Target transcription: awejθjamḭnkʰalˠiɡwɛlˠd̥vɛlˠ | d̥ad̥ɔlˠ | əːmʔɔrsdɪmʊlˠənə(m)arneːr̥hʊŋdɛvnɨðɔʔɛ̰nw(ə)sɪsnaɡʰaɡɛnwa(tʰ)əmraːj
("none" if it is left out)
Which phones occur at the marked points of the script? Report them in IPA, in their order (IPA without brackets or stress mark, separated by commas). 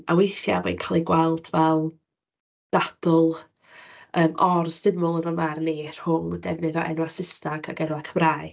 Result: m, a, kʰ